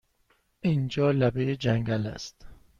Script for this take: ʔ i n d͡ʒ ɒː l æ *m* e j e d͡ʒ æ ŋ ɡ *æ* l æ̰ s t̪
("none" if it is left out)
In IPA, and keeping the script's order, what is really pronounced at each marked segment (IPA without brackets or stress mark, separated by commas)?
b, æ